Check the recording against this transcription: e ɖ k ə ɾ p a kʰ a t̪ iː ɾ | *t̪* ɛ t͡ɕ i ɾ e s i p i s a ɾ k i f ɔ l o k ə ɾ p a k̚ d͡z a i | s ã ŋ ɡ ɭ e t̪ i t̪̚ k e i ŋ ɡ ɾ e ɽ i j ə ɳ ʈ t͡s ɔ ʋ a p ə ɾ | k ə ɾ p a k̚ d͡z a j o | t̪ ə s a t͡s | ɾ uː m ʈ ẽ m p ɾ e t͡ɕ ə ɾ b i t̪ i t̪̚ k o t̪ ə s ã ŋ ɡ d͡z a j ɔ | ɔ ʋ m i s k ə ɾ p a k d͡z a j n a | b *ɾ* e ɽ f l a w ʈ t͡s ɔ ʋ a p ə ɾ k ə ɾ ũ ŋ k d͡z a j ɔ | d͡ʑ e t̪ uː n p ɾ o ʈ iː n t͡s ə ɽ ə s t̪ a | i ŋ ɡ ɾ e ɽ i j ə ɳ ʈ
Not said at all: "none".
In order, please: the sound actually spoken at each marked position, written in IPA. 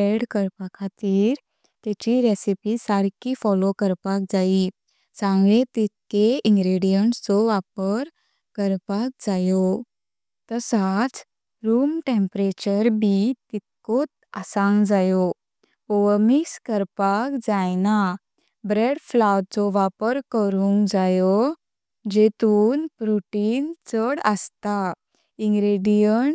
t̪, ɾ

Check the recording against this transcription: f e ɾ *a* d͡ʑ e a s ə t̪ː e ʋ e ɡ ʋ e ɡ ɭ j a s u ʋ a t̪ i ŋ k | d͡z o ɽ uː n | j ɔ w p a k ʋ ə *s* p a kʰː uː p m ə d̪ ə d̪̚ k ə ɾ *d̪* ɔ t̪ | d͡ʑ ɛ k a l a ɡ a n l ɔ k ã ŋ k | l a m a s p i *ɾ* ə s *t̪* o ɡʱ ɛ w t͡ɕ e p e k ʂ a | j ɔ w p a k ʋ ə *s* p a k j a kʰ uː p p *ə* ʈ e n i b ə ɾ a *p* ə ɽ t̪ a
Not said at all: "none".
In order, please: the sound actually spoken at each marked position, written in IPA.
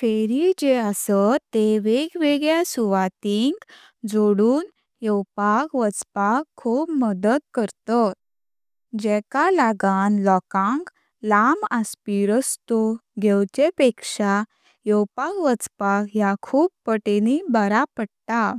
i, t͡s, t̪, ɾ, t̪, t͡s, ə, p

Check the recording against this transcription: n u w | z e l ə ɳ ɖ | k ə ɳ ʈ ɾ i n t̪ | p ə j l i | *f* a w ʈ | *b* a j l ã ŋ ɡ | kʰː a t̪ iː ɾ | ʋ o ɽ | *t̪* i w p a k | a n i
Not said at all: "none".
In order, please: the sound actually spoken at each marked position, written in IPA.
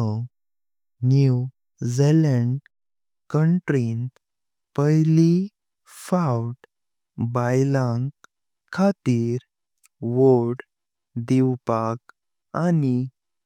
f, b, d̪

